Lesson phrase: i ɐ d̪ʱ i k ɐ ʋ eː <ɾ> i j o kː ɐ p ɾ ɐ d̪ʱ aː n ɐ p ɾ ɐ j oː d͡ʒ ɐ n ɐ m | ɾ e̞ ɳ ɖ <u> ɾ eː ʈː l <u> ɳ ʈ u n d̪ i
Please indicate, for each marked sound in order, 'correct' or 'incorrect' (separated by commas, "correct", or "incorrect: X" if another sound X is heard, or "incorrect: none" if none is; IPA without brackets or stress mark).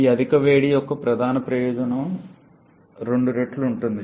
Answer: incorrect: ɽ, correct, correct